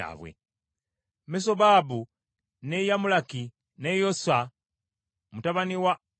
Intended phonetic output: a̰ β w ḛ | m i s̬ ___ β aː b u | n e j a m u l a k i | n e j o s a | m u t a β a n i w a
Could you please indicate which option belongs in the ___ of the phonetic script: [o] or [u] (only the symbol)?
o